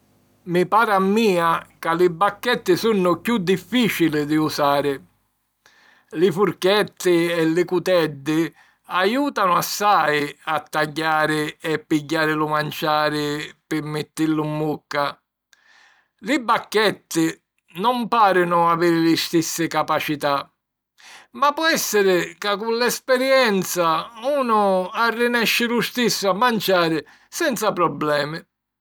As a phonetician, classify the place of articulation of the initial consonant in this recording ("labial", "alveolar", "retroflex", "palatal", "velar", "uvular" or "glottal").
labial